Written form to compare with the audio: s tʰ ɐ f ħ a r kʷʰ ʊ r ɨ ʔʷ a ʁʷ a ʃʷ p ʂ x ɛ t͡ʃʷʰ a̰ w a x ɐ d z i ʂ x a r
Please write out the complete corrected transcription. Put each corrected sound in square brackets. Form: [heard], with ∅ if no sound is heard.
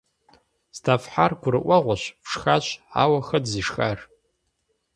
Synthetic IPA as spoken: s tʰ [a] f ħ a r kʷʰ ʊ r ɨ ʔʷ a ʁʷ a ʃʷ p ʂ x [a] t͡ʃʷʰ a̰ w a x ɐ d z i ʂ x a r